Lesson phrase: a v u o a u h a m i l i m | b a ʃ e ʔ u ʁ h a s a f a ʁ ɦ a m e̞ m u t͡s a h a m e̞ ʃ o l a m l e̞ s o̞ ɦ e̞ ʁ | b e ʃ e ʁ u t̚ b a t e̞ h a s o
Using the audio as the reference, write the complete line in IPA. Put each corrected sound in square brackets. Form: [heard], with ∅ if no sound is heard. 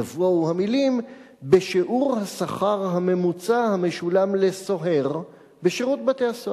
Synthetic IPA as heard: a v u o a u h a m i l i m | b [e] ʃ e ʔ u ʁ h a s a [χ] a ʁ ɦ a m e̞ m u t͡s a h a m e̞ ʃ [u] l a m l e̞ s o̞ ɦ e̞ ʁ | b e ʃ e ʁ u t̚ b a t e̞ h a s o